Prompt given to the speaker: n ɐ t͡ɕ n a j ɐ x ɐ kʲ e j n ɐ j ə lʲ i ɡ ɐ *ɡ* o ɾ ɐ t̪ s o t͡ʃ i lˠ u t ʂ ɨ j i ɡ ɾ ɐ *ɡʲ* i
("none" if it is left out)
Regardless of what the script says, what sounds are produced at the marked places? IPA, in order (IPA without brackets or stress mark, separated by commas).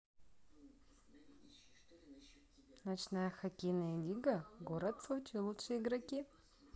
ɡ, kʲ